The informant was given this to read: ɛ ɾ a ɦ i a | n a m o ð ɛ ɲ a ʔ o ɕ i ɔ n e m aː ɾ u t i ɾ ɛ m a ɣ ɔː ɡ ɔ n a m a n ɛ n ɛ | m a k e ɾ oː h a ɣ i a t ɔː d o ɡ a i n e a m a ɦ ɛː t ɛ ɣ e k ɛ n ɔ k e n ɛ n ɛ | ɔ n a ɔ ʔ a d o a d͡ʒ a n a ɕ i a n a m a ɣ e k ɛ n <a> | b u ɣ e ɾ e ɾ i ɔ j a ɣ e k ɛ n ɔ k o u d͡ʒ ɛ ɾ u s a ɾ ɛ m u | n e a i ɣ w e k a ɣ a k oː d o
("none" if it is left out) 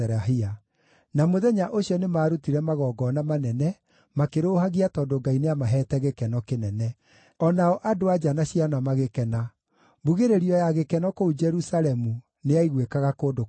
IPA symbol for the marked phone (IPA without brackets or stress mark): a